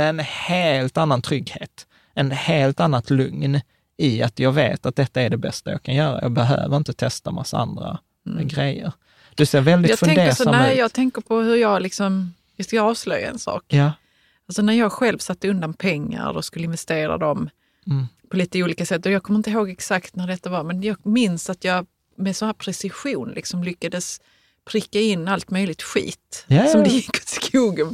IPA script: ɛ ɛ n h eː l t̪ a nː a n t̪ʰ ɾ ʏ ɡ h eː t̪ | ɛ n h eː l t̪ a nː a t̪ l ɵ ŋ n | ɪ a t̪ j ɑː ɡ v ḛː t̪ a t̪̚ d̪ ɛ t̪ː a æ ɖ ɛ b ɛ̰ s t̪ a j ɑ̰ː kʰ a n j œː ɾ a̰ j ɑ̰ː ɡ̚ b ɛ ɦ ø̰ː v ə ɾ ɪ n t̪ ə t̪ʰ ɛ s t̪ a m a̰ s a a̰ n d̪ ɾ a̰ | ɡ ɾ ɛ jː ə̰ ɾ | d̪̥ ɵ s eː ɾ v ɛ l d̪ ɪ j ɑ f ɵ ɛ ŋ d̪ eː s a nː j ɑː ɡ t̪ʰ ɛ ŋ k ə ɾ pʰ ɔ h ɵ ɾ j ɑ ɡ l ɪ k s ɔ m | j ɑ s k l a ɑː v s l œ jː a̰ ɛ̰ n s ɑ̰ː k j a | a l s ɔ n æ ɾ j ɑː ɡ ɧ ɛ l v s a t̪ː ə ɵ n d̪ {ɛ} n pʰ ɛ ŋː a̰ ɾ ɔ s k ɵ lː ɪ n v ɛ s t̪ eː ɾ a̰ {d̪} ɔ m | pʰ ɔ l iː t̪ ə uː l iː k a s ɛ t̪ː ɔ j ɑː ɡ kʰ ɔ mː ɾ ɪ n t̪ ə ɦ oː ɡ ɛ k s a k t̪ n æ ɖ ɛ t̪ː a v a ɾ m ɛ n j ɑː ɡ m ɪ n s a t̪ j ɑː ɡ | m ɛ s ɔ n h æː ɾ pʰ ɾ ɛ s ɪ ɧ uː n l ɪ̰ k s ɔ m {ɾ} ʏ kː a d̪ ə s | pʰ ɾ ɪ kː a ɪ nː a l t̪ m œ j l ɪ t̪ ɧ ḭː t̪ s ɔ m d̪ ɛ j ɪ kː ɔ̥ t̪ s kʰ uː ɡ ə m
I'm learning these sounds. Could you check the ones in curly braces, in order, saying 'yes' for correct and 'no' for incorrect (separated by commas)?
no, yes, no